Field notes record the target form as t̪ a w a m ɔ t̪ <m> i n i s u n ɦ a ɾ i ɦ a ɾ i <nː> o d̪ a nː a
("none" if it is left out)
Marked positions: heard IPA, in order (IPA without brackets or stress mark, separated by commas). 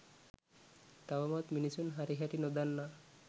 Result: m, n